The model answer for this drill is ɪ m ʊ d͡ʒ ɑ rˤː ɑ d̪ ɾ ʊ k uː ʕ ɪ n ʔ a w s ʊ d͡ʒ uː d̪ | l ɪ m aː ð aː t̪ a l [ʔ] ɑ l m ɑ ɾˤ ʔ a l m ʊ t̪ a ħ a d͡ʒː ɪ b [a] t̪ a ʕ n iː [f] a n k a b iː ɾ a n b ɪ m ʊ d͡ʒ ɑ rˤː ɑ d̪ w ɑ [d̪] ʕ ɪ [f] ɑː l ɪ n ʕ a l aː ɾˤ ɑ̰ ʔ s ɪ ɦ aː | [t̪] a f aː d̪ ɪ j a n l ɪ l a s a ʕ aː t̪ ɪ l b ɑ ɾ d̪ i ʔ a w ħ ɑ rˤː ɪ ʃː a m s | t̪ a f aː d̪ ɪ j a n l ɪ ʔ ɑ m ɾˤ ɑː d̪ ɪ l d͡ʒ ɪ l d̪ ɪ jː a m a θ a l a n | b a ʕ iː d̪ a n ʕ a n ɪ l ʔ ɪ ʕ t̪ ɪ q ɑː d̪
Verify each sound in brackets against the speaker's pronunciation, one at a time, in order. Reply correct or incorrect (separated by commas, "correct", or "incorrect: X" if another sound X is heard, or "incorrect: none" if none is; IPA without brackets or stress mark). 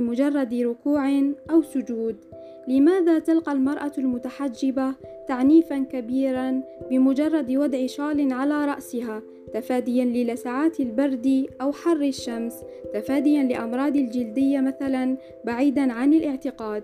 incorrect: q, correct, correct, correct, incorrect: ʃ, correct